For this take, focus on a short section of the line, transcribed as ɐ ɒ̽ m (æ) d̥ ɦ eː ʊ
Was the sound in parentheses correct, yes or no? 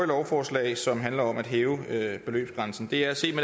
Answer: yes